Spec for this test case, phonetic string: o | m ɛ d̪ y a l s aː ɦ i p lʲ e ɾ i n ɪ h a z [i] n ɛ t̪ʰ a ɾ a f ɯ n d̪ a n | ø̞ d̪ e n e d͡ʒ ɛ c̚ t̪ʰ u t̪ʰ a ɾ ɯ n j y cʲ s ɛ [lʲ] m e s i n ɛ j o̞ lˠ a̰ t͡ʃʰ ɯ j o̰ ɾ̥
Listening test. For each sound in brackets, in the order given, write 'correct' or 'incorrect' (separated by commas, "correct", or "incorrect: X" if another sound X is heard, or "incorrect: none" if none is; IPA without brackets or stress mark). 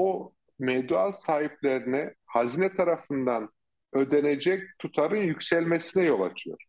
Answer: correct, correct